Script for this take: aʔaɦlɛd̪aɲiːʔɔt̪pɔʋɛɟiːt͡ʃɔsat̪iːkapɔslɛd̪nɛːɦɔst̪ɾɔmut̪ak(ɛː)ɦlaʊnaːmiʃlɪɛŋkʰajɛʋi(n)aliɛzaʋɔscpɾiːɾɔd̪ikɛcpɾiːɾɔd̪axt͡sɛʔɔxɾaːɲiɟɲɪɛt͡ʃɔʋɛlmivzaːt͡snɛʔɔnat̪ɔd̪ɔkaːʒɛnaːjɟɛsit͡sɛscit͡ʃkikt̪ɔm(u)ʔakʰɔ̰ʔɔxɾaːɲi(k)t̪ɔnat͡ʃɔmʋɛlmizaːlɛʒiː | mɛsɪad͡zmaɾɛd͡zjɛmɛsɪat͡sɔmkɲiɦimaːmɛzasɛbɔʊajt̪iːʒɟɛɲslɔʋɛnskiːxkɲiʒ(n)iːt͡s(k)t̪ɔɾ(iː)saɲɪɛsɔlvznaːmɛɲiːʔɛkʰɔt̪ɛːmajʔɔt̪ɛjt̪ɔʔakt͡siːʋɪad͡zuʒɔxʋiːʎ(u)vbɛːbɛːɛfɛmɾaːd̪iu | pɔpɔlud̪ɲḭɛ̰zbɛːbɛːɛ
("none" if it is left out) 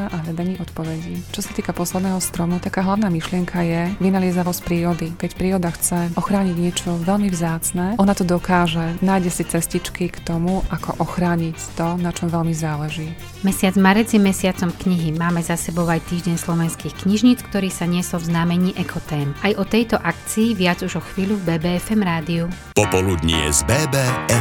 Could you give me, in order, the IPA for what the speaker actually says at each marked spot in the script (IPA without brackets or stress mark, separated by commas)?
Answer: aː, n, u, c, ɲ, k, iː, u